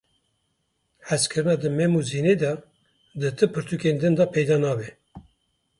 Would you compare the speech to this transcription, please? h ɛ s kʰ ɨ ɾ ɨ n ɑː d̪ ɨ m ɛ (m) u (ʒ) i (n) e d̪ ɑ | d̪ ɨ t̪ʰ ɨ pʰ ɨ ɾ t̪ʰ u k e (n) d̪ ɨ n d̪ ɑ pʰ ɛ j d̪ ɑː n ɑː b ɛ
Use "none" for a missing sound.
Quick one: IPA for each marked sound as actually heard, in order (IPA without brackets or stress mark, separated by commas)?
m, z, n, n